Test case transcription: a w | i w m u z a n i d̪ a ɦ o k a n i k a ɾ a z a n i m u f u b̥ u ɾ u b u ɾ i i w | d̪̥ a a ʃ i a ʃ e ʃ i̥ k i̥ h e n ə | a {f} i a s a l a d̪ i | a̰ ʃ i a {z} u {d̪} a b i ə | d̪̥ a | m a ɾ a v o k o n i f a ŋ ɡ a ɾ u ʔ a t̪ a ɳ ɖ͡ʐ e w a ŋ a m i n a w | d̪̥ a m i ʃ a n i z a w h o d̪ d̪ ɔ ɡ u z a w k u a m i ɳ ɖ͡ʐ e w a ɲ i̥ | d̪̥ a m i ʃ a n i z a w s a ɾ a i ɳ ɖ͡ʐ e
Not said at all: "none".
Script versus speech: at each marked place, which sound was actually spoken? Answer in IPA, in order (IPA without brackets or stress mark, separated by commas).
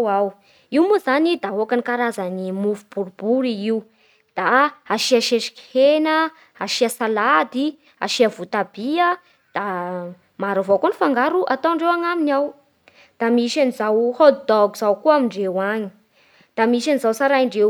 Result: ʃ, v, t̪